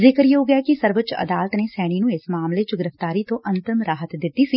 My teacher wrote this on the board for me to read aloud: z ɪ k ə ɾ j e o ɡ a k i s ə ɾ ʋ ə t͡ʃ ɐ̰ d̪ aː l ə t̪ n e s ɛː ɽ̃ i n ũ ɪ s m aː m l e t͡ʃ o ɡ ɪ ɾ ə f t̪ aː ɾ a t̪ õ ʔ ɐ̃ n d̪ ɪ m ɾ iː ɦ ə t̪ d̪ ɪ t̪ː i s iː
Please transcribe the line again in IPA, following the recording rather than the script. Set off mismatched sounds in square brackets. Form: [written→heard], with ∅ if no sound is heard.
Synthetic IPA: z ɪ k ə ɾ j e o ɡ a k i s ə ɾ ʋ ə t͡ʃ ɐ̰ d̪ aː l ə t̪ n e s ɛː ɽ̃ i n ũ ɪ s m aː m l e t͡ʃ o ɡ ɪ ɾ ə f t̪ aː ɾ [a→i] t̪ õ ʔ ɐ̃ n [d̪→t̪] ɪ m ɾ [iː→aː] ɦ ə t̪ d̪ ɪ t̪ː i s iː